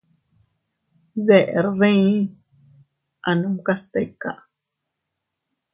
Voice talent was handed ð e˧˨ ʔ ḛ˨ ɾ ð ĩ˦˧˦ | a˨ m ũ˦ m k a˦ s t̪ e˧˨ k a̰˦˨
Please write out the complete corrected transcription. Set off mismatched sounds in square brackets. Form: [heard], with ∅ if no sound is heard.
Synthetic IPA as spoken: ð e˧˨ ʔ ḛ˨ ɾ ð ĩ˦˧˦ | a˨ [n] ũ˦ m k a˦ s t̪ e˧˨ k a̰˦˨